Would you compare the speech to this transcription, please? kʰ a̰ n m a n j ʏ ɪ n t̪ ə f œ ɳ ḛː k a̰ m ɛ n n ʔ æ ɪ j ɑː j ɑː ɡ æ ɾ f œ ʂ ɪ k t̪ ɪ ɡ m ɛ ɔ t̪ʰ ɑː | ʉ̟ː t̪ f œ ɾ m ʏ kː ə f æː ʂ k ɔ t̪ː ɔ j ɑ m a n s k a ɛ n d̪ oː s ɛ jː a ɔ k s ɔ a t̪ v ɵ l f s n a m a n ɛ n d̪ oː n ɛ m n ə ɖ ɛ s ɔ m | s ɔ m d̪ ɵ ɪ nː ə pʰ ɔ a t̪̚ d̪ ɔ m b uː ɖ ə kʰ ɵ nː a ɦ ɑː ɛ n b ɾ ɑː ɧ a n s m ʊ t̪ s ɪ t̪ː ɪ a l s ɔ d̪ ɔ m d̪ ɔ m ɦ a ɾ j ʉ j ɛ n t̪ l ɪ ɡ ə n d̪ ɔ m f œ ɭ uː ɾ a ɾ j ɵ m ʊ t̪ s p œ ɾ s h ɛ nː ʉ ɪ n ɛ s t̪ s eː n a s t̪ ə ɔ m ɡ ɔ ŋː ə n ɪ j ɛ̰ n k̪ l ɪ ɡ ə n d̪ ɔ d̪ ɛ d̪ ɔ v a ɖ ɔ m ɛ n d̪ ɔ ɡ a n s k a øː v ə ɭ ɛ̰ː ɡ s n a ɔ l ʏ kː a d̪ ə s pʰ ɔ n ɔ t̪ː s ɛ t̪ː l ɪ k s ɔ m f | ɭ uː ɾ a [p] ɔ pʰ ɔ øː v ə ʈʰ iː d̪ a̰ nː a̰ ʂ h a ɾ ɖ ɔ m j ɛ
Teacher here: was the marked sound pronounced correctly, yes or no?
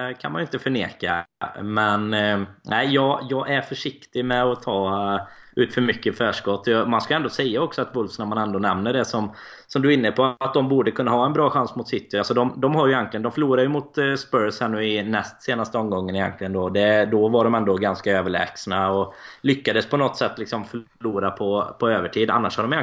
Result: no